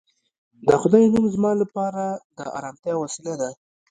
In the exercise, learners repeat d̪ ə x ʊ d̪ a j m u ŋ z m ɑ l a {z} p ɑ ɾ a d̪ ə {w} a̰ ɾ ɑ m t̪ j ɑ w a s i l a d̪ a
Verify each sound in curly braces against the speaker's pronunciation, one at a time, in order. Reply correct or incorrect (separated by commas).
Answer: incorrect, incorrect